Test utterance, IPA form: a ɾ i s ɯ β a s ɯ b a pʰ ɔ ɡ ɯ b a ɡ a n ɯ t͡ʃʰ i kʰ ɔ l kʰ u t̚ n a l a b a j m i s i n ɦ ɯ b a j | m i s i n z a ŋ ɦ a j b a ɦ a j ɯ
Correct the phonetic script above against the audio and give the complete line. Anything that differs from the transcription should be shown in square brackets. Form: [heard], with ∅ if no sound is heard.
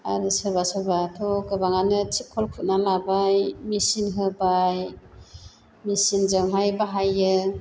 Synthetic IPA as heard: a ɾ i s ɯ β a s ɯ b a [tʰ] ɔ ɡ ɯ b a [ŋ] a n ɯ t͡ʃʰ i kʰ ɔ l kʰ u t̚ n a l a b a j m i s i n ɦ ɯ b a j | m i s i n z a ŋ ɦ a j b a ɦ a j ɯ